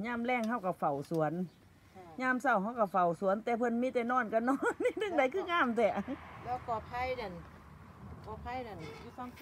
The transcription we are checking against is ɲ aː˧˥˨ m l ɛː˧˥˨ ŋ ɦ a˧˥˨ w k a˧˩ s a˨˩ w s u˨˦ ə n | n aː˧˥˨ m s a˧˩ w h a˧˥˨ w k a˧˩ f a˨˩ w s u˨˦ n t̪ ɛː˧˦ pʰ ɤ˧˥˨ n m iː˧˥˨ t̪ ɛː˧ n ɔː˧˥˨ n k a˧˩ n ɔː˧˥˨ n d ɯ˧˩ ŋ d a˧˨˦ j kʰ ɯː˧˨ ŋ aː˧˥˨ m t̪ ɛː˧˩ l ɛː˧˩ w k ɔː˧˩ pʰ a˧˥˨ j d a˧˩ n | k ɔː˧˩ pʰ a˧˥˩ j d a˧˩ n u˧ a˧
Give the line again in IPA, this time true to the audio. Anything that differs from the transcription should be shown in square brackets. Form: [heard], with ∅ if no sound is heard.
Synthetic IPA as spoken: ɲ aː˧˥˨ m l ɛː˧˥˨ ŋ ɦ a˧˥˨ w k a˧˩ [f] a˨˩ w s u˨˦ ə n | [ɲ] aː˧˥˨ m s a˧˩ w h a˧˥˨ w k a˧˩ f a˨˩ w s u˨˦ n t̪ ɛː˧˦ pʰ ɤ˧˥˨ n m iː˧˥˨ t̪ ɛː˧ n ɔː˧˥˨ n k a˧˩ n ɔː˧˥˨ n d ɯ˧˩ ŋ d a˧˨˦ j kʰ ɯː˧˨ ŋ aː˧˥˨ m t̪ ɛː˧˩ l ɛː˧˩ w k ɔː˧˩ pʰ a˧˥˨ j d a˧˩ n | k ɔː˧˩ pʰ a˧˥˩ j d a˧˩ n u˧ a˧